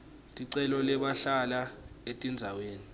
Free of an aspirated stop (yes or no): yes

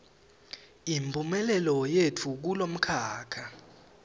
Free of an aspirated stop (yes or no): no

